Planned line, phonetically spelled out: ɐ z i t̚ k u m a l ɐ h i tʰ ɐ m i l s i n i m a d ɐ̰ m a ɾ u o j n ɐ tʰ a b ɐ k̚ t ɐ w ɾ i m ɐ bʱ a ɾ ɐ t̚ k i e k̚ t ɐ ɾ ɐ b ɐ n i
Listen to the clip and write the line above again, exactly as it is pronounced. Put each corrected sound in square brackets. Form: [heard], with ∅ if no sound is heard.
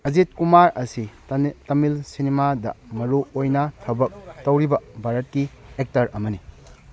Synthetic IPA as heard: ɐ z i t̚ k u m a [ɾ] ɐ [s] i [t] ɐ m i l s i n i m a d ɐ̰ m [ɐ] ɾ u o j n ɐ tʰ [ɐ] b ɐ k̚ t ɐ w ɾ i [b] ɐ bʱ a ɾ ɐ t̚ k i e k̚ t ɐ ɾ ɐ [m] ɐ n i